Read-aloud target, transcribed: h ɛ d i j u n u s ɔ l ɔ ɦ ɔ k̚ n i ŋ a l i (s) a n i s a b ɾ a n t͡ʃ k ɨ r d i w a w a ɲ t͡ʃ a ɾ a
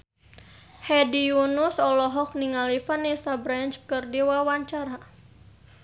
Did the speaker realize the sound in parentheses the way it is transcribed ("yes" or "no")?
no